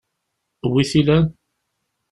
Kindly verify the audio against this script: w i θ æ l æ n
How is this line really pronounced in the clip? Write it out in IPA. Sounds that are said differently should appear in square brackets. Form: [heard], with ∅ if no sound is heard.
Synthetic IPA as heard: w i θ [i] l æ n

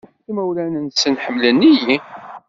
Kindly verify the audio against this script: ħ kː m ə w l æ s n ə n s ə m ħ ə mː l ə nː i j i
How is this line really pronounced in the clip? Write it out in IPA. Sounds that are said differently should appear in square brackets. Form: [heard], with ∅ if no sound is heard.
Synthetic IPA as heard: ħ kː m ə w l æ [∅] n ə n s ə [n] ħ ə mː l ə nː i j i

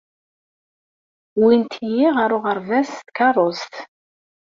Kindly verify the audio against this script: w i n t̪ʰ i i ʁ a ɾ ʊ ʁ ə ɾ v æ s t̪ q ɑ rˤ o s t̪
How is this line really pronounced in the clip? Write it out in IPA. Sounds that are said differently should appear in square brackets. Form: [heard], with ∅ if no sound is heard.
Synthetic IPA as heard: w i n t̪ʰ [j] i ʁ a ɾ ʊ ʁ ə ɾ v æ s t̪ [k] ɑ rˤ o s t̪

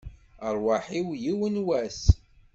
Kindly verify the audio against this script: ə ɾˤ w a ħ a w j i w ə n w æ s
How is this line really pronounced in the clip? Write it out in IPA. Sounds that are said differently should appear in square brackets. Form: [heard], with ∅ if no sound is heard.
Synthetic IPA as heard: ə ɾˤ w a ħ [i] w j i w ə n w æ s

